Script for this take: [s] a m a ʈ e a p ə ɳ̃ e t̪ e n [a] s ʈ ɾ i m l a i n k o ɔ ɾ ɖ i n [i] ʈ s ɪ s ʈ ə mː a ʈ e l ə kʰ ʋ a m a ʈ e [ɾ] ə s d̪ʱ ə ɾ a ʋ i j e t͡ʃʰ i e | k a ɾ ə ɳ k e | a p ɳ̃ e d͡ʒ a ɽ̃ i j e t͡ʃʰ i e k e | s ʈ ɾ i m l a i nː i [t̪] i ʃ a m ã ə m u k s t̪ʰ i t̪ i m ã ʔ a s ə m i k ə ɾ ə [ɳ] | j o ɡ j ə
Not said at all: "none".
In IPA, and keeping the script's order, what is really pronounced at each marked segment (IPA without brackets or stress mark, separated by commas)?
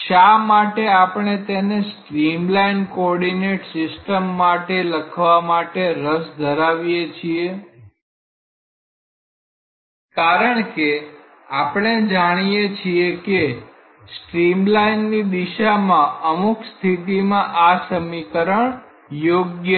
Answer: ʃ, e, e, ɾ, d̪, ɳ